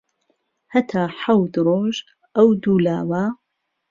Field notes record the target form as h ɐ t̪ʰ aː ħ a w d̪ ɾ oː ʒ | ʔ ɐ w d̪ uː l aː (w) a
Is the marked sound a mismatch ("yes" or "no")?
no